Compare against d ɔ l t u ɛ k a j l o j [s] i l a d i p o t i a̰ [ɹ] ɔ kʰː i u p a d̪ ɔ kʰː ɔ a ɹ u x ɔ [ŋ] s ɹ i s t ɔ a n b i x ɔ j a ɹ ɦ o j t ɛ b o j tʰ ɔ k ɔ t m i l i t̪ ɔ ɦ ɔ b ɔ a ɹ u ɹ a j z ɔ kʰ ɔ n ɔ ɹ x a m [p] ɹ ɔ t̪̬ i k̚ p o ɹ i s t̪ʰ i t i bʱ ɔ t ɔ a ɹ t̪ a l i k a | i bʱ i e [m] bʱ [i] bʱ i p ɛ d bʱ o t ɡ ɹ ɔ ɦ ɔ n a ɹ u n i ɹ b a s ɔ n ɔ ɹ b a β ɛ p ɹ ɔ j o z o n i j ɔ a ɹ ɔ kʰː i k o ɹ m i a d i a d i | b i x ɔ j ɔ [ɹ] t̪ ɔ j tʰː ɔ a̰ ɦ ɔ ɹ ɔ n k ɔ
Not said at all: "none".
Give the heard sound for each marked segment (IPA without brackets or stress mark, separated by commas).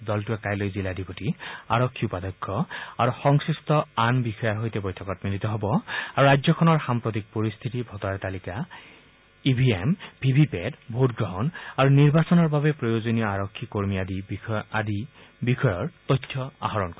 z, ɹ, ŋ, p, m, i, ɹ